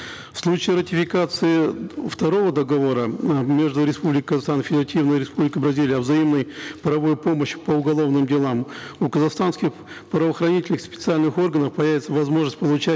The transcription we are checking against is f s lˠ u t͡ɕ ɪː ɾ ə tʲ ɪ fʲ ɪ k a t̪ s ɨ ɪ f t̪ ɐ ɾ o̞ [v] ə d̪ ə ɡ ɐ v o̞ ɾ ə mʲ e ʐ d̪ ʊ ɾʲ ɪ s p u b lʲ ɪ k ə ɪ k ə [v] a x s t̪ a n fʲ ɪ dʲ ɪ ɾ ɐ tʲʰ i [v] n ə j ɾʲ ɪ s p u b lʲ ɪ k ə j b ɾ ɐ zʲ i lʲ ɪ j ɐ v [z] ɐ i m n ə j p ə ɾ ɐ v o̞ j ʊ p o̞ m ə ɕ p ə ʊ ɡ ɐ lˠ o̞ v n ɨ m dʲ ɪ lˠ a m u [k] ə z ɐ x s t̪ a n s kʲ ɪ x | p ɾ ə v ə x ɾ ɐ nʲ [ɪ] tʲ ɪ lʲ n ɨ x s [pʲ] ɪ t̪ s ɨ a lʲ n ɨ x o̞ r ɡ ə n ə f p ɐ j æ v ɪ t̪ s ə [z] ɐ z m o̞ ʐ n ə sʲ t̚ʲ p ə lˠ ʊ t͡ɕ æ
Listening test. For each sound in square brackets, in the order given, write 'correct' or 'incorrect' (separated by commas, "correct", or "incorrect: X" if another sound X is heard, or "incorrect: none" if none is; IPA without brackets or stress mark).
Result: correct, incorrect: z, correct, correct, correct, incorrect: i, correct, incorrect: v